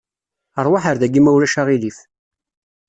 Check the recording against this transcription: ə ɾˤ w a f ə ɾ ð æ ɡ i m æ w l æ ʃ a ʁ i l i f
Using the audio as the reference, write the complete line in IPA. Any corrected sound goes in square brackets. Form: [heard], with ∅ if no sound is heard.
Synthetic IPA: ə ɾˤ w a [ħ] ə ɾ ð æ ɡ i m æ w l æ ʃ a ʁ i l i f